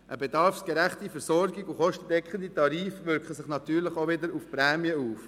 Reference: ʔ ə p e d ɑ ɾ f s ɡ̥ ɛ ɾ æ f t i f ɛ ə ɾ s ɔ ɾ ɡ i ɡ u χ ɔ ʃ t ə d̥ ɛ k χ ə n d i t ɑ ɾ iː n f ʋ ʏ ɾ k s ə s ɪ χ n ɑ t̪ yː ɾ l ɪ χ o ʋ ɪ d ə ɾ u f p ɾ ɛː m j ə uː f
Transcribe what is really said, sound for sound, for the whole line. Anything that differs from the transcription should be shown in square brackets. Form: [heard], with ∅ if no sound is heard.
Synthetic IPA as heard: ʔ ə [b] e d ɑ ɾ f s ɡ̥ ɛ ɾ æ [χ] t i f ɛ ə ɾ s ɔ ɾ ɡ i ɡ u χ ɔ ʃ t ə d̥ ɛ k χ ə n d i t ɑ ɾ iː [∅] f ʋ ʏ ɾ k [χ] ə s ɪ χ n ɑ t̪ yː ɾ l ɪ χ o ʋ ɪ d ə ɾ u f p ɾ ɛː m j ə uː f